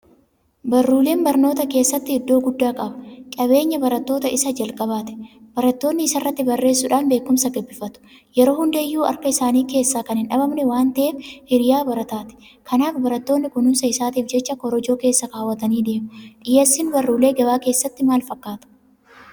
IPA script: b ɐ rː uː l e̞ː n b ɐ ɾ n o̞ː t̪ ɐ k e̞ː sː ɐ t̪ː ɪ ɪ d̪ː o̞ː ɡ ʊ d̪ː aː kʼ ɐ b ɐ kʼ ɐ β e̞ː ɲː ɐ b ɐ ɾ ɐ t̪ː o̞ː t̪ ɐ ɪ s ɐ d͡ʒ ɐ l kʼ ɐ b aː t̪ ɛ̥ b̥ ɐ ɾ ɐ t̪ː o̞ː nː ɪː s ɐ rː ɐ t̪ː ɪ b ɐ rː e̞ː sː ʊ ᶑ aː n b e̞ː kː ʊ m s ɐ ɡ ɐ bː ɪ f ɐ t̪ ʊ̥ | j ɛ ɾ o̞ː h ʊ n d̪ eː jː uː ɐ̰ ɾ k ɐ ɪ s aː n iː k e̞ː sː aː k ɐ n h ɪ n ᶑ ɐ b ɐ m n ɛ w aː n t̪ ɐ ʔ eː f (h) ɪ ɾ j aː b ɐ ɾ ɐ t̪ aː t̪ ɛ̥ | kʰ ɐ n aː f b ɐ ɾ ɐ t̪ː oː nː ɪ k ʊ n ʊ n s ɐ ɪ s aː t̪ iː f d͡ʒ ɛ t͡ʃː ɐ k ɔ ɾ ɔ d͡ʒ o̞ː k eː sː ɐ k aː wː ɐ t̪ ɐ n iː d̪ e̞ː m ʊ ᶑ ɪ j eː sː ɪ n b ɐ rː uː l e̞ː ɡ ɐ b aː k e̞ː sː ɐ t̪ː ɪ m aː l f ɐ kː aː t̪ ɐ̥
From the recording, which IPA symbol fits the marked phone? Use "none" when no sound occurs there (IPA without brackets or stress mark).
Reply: h